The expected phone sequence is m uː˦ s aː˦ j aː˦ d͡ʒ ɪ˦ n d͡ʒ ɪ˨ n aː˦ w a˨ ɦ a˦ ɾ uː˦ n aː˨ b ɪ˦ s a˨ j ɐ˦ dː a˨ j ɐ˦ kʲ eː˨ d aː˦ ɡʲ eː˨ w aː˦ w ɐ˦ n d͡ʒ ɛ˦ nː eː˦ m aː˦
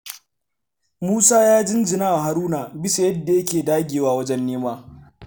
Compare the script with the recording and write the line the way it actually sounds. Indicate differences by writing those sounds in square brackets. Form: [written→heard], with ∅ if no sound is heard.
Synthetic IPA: m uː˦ s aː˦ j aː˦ d͡ʒ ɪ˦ n d͡ʒ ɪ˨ n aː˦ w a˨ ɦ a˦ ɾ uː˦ n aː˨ b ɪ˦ s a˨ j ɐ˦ dː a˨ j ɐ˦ kʲ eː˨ d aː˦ ɡʲ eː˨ w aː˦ w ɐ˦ [n→∅] d͡ʒ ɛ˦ nː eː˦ m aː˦